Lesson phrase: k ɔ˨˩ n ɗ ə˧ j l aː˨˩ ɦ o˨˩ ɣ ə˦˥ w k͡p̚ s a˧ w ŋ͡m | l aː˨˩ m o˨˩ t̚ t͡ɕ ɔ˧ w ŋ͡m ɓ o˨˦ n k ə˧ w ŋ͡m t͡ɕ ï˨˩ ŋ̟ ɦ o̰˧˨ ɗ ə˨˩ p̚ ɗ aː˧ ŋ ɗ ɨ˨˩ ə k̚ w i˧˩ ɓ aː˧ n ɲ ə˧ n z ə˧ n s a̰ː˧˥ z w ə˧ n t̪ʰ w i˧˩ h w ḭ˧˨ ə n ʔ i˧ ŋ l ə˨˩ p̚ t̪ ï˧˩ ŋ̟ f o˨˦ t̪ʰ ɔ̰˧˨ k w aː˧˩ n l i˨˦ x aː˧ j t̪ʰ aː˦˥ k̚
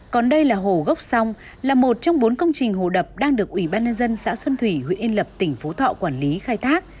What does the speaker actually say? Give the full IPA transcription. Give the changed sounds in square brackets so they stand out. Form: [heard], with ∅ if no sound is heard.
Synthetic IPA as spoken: k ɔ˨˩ n ɗ ə˧ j l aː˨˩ ɦ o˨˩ ɣ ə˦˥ w k͡p̚ s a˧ w ŋ͡m | l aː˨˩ m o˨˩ t̚ t͡ɕ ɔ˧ w ŋ͡m ɓ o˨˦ n k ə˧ w ŋ͡m t͡ɕ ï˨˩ ŋ̟ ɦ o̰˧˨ ɗ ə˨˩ p̚ ɗ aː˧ ŋ ɗ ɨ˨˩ ə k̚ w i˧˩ ɓ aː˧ n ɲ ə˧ n z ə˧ n s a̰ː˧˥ [s] w ə˧ n t̪ʰ w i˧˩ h w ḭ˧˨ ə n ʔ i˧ [n] l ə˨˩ p̚ t̪ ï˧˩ ŋ̟ f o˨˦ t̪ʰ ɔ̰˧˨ k w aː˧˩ n l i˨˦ x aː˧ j t̪ʰ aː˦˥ k̚

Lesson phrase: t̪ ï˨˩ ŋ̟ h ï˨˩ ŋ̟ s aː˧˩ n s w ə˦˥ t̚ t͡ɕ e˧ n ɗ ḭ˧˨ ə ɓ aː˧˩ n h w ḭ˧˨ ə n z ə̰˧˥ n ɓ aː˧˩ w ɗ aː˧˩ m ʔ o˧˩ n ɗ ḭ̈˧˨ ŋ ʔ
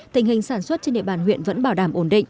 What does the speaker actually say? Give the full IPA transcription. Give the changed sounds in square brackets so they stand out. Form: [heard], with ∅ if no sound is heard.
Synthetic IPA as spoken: t̪ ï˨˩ ŋ̟ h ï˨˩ ŋ̟ s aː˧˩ n s w ə˦˥ t̚ t͡ɕ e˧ n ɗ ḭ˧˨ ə ɓ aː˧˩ n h w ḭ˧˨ ə n [v] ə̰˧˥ n ɓ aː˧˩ w ɗ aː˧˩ m ʔ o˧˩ n ɗ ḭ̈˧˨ ŋ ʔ

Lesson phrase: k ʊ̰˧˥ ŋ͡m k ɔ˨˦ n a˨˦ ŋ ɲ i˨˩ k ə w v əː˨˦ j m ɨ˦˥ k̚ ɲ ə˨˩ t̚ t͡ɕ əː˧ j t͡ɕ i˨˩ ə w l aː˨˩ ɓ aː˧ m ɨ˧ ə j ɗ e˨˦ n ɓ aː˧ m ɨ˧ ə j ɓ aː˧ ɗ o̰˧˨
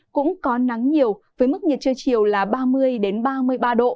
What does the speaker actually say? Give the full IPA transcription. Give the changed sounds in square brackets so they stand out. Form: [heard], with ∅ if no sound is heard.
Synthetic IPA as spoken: k ʊ̰˧˥ ŋ͡m k ɔ˨˦ n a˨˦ ŋ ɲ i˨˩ [∅] ə w v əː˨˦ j m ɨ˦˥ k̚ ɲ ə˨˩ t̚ t͡ɕ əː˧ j t͡ɕ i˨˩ ə w l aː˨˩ ɓ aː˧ m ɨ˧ ə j ɗ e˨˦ n ɓ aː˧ m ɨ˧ ə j ɓ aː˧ ɗ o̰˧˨

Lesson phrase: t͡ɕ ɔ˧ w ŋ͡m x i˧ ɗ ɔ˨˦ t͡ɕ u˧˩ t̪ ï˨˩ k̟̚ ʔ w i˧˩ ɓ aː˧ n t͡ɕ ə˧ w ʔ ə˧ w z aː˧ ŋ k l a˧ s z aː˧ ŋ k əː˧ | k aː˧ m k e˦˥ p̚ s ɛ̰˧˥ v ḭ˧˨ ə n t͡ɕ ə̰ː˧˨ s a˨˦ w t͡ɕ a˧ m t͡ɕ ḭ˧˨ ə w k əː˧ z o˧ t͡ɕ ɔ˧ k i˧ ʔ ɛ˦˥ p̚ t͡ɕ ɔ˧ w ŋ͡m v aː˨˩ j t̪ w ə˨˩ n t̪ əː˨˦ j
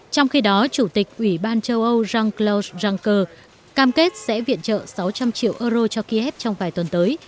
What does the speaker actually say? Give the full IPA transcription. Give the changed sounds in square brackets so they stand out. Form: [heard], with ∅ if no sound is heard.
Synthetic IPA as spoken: t͡ɕ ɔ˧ w ŋ͡m x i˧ ɗ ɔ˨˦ t͡ɕ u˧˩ t̪ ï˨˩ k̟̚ ʔ w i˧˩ ɓ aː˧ n t͡ɕ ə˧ w ʔ ə˧ w z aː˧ ŋ k l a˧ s z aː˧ ŋ k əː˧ | k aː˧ m k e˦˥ [t̚] s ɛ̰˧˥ v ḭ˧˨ ə n t͡ɕ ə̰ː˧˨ s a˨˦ w t͡ɕ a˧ m t͡ɕ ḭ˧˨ ə w [ʔ] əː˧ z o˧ t͡ɕ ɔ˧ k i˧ ʔ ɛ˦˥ p̚ t͡ɕ ɔ˧ w ŋ͡m v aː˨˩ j t̪ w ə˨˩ n t̪ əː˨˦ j

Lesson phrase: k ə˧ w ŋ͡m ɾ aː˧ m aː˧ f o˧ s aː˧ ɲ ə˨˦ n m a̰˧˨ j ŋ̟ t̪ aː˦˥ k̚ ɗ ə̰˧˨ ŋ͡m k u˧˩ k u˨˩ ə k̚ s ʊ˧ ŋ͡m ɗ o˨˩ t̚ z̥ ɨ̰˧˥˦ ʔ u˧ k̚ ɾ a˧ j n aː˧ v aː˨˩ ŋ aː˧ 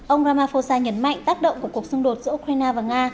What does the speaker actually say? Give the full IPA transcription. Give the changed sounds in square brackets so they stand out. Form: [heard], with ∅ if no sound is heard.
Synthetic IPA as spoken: [ʔ] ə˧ w ŋ͡m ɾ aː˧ m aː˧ f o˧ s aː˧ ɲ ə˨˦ n m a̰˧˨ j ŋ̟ t̪ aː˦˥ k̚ ɗ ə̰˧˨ ŋ͡m k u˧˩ k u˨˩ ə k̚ s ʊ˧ ŋ͡m ɗ o˨˩ t̚ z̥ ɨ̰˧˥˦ ʔ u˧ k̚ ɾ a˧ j n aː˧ v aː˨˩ ŋ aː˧

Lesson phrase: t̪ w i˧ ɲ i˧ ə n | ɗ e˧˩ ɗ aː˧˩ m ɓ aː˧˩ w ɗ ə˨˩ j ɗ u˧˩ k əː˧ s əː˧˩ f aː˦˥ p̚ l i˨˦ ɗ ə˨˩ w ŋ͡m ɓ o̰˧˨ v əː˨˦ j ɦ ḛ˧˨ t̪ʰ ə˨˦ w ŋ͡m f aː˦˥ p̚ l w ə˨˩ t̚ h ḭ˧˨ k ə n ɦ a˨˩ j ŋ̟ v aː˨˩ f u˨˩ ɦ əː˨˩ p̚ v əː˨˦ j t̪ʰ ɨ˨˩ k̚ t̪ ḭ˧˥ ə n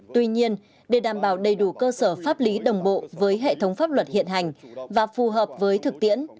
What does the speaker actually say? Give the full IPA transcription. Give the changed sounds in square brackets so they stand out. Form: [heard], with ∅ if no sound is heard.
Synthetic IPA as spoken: t̪ w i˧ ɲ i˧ ə n | ɗ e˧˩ ɗ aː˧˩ m ɓ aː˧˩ w ɗ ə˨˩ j ɗ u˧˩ k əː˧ s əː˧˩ f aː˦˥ p̚ l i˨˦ ɗ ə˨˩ w ŋ͡m ɓ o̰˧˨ v əː˨˦ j ɦ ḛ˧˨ t̪ʰ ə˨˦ w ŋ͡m f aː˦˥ p̚ l w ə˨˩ t̚ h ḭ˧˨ [∅] ə n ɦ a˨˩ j ŋ̟ v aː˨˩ f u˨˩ ɦ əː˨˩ p̚ v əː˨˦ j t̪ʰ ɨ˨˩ k̚ t̪ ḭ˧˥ ə n

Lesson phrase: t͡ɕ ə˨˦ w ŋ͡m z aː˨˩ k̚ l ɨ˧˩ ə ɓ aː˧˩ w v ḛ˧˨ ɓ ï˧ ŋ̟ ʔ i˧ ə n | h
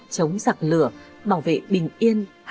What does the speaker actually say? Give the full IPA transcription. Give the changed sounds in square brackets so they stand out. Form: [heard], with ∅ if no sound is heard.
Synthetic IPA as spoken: t͡ɕ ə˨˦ w ŋ͡m z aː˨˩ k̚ l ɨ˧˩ ə ɓ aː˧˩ w v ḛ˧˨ ɓ [ï˨˩] ŋ̟ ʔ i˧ ə n | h

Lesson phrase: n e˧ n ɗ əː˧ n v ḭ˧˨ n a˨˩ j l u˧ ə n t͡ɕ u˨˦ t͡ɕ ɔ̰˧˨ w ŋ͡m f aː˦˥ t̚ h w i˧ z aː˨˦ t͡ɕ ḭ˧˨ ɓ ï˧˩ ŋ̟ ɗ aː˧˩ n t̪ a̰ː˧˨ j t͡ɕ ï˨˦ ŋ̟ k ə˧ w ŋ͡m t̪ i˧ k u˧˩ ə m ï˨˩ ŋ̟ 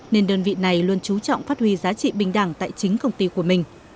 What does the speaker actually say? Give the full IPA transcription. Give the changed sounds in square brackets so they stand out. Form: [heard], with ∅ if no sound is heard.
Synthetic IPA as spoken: n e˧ n ɗ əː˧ n v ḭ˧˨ n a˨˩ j l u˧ ə n t͡ɕ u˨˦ t͡ɕ ɔ̰˧˨ w ŋ͡m f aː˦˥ t̚ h w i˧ z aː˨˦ t͡ɕ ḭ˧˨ ɓ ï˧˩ ŋ̟ ɗ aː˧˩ [ŋ] t̪ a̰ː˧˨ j t͡ɕ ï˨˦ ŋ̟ k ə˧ w ŋ͡m t̪ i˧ k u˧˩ ə m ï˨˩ ŋ̟

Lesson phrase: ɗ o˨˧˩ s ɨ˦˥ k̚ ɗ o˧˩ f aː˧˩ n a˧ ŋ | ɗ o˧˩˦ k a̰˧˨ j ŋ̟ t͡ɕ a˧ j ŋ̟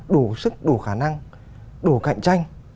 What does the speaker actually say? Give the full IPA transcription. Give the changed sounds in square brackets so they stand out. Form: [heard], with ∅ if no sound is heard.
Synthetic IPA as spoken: ɗ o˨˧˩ s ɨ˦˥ k̚ ɗ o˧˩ [x] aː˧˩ n a˧ ŋ | ɗ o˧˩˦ k a̰˧˨ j ŋ̟ t͡ɕ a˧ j ŋ̟

